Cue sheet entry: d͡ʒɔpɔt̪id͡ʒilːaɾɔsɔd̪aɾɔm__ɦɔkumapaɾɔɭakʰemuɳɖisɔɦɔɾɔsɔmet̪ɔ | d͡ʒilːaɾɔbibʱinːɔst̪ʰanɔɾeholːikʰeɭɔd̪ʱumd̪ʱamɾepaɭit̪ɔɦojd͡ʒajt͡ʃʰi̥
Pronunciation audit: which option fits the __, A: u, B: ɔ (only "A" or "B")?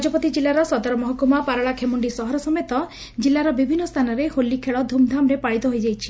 B